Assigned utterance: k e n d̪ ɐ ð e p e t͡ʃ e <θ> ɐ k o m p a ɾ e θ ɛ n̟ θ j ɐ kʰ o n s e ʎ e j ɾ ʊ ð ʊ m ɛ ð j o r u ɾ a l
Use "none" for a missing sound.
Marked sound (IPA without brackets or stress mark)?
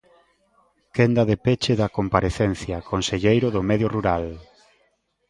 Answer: ð